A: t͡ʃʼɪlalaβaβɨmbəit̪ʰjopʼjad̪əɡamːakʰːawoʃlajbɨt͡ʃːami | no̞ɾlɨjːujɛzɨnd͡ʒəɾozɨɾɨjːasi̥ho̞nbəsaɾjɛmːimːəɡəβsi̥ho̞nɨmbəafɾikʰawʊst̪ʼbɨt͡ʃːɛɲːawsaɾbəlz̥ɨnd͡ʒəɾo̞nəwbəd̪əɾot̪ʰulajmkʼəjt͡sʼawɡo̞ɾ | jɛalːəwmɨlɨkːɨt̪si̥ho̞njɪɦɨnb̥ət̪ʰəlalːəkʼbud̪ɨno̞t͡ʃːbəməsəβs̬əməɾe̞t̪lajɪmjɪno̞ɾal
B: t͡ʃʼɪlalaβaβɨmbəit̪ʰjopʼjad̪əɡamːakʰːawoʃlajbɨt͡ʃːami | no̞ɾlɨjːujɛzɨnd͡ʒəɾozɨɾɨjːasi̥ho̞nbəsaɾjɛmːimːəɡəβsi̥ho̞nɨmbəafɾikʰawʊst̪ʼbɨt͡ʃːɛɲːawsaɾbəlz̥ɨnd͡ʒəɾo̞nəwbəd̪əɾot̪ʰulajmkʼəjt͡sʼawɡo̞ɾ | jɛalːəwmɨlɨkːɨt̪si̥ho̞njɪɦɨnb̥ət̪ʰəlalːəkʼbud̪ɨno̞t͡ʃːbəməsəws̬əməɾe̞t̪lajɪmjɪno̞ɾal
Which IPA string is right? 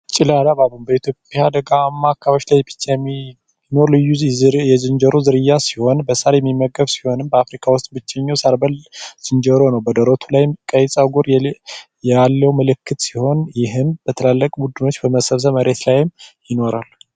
A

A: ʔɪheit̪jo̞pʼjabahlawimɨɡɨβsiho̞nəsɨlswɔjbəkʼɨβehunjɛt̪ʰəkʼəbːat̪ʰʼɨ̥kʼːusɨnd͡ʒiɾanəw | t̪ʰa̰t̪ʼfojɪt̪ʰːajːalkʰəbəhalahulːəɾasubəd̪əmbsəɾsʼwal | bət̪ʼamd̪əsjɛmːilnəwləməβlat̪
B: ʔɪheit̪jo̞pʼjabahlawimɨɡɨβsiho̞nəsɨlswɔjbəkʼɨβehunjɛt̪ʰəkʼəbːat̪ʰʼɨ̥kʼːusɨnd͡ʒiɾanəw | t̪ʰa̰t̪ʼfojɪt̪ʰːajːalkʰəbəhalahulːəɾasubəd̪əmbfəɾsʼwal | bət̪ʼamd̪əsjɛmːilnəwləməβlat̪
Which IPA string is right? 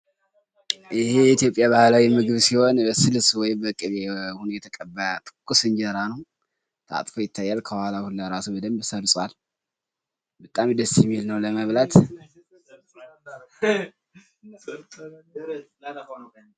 A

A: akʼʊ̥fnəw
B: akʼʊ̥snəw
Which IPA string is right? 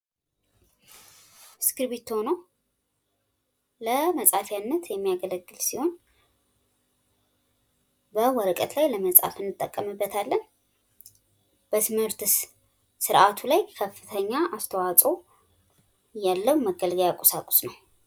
B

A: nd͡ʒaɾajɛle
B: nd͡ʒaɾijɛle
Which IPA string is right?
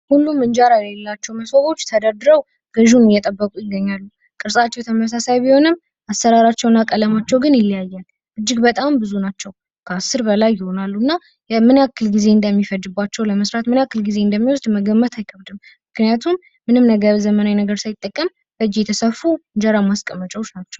A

